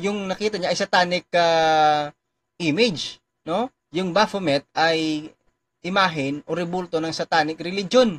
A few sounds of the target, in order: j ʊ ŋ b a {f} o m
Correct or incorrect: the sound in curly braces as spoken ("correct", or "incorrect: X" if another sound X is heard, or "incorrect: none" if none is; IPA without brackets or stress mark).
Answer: correct